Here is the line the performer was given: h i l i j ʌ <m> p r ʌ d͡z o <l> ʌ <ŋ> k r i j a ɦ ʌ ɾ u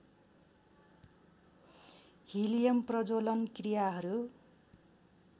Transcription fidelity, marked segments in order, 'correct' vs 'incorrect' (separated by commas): correct, correct, incorrect